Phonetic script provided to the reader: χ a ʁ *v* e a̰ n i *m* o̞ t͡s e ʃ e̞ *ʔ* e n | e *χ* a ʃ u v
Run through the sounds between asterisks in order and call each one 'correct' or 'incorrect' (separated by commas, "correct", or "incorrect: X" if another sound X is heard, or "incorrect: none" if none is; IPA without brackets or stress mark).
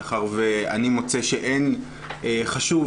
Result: correct, correct, correct, correct